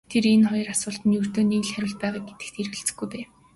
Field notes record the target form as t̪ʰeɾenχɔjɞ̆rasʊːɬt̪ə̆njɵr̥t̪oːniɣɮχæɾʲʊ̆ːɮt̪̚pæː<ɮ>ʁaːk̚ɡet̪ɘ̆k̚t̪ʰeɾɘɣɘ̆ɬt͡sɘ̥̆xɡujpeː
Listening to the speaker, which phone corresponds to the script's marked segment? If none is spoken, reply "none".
none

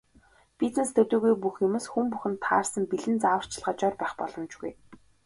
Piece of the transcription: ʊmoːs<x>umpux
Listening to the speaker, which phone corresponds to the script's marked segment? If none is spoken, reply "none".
x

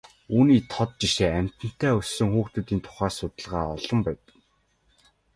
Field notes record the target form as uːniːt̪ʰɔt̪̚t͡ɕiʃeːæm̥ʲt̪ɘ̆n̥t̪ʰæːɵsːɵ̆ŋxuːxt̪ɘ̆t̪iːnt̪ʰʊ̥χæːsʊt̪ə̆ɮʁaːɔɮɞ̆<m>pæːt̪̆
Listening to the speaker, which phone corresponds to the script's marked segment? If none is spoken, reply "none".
m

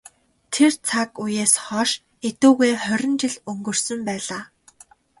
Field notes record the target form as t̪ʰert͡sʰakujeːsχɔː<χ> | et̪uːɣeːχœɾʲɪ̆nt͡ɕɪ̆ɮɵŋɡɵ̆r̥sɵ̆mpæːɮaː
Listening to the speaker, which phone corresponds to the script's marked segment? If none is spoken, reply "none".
ʃ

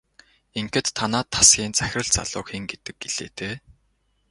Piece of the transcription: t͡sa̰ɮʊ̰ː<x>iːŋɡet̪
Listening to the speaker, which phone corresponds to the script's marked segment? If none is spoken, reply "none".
x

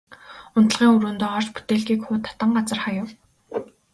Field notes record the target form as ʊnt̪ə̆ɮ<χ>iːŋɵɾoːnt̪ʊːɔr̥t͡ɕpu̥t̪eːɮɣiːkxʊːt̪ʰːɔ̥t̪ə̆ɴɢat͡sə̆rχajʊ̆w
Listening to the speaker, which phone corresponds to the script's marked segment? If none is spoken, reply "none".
ʁ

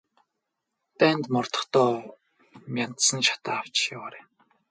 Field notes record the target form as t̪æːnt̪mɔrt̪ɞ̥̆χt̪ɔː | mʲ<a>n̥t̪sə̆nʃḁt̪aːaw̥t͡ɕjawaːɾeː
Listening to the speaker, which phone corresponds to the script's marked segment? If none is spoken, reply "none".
a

